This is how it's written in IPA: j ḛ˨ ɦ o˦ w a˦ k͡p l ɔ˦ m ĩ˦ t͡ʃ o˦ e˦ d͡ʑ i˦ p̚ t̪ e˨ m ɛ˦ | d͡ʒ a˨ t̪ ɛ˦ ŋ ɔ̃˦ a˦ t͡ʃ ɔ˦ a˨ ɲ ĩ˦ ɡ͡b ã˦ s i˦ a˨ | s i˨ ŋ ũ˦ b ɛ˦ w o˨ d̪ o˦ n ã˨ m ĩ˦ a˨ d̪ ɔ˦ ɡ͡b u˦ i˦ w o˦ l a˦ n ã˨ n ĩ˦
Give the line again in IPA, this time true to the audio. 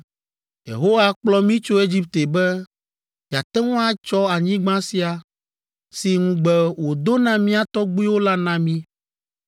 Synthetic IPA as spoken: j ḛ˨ ɦ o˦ w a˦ k͡p l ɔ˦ m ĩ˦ t͡ʃ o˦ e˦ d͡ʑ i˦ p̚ t̪ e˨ b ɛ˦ | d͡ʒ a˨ t̪ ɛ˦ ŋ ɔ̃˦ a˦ t͡ʃ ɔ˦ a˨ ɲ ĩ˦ ɡ͡b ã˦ s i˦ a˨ | s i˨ ŋ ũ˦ ɡ͡b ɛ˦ w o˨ d̪ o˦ n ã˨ m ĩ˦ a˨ t̪ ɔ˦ ɡ͡b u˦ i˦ w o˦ l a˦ n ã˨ m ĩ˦

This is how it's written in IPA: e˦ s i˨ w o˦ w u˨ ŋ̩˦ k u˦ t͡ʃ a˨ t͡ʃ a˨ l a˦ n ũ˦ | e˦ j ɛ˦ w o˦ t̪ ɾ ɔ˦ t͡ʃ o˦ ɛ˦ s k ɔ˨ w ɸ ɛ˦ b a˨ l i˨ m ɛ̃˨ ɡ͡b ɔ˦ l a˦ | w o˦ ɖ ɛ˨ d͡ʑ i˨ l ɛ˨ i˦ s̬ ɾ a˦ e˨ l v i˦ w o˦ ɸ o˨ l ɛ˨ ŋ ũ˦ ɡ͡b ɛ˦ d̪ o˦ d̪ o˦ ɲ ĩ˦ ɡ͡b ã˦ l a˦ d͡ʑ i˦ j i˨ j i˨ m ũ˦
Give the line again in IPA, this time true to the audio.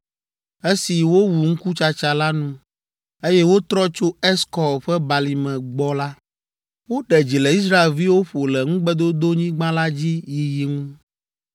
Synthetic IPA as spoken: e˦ s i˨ w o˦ w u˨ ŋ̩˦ k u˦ t͡ʃ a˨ t͡ʃ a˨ l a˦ n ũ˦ | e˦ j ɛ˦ w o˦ t̪ ɾ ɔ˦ t͡ʃ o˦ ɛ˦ s k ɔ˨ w ɸ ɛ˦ b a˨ l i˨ m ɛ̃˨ ɡ͡b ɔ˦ l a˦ | w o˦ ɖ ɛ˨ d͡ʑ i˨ l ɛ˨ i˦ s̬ ɾ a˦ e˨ l v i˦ w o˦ ɸ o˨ l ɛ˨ ŋ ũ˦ ɡ͡b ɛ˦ d̪ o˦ d̪ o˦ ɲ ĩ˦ ɡ͡b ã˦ l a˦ d͡ʑ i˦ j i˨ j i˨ ŋ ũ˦

